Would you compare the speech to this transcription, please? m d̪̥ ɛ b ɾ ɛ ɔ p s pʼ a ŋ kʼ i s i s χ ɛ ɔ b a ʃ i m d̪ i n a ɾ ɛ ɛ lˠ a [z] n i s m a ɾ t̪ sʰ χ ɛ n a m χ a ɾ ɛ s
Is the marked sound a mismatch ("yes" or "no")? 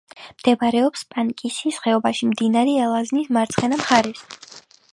no